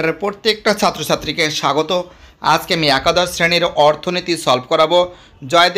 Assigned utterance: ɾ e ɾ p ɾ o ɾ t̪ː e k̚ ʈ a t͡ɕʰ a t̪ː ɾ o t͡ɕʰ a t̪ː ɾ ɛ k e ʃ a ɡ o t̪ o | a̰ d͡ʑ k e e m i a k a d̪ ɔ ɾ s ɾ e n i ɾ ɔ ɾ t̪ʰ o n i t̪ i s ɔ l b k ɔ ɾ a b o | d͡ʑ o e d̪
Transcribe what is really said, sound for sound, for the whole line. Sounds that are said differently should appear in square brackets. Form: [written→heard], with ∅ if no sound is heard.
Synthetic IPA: ɾ e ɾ p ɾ o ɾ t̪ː e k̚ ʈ a t͡ɕʰ a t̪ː ɾ o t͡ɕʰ a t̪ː ɾ [ɛ→i] k e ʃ a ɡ o t̪ o | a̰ d͡ʑ k e [e→a] m i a k a d̪ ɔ ɾ s ɾ e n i ɾ ɔ ɾ t̪ʰ o n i t̪ i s ɔ l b k ɔ ɾ a b o | d͡ʑ [o→ɔ] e d̪